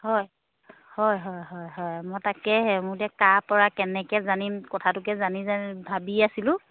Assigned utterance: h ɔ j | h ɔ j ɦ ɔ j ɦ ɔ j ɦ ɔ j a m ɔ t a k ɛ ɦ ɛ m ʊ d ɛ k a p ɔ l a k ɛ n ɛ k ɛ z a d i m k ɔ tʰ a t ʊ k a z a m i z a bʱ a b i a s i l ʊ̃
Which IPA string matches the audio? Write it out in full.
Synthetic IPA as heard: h ɔ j | h ɔ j ɦ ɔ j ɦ ɔ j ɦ ɔ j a m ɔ t a k ɛ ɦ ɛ m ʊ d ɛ k a p ɔ ɹ a k ɛ n ɛ k ɛ z a n i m k ɔ tʰ a t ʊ k ɛ z a n i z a bʱ a b i a s i l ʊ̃